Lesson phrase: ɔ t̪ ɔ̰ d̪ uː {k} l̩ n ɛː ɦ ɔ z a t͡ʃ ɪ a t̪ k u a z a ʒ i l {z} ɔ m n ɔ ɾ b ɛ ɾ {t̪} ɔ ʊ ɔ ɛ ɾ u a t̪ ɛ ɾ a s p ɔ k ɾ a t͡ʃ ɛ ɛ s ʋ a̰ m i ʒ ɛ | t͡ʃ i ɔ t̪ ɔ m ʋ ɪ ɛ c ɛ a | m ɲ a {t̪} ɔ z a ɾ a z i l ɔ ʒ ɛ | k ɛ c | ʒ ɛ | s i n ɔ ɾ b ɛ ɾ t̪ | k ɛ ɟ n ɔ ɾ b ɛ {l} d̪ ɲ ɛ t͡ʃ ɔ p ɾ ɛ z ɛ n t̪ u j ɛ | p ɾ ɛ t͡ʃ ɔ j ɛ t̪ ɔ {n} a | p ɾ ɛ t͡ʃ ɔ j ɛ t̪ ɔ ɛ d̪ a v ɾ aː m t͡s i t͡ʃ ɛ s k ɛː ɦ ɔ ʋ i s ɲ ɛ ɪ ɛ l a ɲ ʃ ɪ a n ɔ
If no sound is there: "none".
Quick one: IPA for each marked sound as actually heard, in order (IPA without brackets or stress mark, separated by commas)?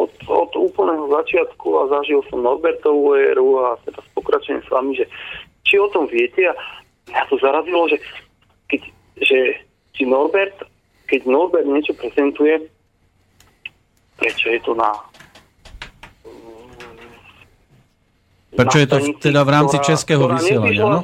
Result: p, s, t̪, t̪, ɾ, n